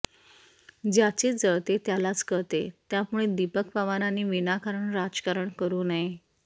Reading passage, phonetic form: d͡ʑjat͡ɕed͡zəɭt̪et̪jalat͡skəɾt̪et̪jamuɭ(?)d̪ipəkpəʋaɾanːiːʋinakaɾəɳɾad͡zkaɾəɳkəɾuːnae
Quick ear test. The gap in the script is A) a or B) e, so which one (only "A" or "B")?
B